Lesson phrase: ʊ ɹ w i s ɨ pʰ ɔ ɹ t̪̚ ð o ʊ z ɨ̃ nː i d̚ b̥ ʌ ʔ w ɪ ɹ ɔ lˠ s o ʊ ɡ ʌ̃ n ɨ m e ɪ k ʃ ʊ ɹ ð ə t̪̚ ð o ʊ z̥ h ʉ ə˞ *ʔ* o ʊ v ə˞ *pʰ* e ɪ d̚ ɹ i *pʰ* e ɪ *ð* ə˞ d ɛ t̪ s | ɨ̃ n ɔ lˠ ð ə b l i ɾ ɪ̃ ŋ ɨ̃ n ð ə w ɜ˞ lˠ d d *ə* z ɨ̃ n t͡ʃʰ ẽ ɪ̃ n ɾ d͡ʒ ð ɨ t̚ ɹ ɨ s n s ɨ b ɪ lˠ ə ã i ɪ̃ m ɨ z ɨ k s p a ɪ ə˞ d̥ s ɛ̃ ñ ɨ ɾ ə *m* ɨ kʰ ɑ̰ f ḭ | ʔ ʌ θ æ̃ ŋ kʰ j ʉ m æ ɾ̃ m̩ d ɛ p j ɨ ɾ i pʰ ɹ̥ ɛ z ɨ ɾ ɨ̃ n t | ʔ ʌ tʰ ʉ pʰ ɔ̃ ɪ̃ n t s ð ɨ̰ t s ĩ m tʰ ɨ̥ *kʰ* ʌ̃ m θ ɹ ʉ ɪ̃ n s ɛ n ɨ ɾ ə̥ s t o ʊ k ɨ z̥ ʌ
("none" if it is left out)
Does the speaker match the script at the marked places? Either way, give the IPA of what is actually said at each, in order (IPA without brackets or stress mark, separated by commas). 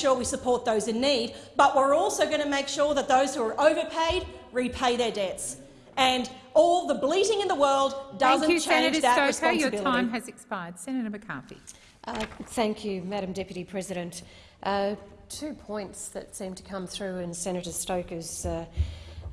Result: ʔ, pʰ, pʰ, ð, ʌ, m, kʰ